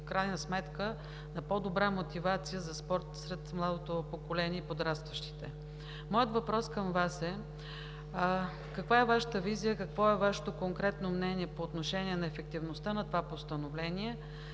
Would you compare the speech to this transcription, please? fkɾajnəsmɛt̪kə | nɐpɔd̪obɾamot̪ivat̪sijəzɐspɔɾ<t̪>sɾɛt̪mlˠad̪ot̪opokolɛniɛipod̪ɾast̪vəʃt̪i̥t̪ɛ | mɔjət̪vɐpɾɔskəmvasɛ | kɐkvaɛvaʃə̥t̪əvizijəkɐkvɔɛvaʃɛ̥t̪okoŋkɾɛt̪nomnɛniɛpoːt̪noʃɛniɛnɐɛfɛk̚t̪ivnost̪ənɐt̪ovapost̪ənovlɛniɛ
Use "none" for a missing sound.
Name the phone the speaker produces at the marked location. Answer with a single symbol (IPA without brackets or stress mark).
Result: t̪